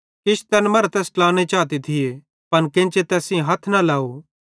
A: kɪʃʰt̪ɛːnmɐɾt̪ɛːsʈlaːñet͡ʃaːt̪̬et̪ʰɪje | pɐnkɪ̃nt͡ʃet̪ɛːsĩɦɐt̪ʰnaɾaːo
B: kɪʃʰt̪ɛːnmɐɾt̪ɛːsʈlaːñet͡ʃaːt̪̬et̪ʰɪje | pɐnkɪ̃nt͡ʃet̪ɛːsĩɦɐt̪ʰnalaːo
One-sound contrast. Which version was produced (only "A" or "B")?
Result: B